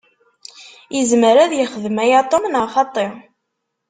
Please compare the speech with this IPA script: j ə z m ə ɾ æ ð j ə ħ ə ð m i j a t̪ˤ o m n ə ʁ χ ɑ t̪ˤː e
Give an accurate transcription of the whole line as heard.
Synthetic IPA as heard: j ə z m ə ɾ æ ð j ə χ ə ð m æ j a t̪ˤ o m n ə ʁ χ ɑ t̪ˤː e